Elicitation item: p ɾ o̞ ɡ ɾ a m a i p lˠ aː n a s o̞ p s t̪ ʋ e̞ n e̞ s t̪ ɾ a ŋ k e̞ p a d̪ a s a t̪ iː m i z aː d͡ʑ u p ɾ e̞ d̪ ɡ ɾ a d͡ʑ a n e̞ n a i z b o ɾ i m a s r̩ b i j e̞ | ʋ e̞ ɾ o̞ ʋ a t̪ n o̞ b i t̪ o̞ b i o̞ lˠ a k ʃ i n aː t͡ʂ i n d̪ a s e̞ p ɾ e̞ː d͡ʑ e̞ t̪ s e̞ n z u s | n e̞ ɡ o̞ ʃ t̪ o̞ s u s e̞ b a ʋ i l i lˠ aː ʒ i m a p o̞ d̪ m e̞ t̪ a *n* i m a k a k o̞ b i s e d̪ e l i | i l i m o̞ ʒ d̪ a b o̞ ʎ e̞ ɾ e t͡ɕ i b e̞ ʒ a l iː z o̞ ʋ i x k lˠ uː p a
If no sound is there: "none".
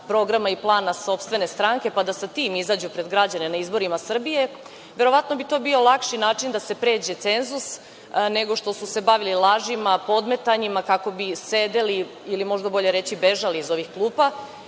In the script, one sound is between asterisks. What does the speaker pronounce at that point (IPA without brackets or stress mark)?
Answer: ɲ